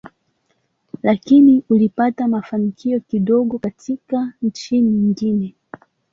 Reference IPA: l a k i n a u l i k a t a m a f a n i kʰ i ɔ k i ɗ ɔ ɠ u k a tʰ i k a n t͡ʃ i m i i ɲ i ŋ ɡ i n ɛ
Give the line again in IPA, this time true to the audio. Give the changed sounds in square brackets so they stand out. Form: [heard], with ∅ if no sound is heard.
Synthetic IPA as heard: l a k i n [i] u l i [p] a t a m a f a n i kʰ i ɔ k i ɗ ɔ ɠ [ɔ] k a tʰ i k a n t͡ʃ i [n] i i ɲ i ŋ ɡ i n ɛ